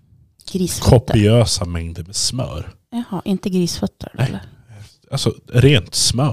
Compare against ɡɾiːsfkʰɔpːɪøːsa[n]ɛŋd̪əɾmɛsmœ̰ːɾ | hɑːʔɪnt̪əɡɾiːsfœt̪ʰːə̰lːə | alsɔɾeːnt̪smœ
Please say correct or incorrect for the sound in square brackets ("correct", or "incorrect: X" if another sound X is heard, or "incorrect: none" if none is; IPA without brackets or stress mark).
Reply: incorrect: m